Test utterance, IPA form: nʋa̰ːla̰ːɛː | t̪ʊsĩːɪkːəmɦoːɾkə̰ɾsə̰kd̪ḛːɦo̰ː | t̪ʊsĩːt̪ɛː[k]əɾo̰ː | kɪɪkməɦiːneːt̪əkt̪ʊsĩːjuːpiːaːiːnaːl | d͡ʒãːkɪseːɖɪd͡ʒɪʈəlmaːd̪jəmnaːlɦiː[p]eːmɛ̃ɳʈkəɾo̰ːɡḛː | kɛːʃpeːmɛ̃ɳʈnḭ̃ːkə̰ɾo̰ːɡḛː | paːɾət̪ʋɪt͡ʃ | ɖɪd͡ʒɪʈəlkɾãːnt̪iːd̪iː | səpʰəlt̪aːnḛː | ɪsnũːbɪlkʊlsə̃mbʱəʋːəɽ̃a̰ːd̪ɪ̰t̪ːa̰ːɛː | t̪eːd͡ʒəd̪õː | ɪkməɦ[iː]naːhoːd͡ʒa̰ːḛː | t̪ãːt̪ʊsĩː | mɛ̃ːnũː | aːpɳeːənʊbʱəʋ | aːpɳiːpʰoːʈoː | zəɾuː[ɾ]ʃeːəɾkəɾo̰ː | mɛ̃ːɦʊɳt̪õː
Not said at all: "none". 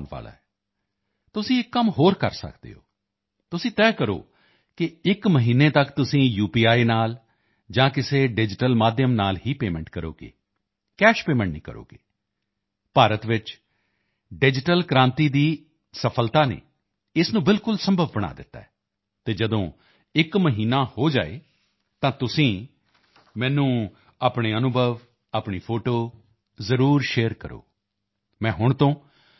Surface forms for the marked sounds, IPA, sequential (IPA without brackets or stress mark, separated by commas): k, p, iː, ɾ